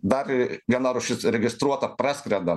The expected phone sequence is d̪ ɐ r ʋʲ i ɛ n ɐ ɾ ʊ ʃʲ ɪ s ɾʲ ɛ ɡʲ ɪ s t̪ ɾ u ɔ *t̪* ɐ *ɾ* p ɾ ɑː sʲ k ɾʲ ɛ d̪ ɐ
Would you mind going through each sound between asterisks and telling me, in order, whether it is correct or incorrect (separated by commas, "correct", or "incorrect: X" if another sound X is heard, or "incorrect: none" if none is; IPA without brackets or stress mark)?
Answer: correct, incorrect: none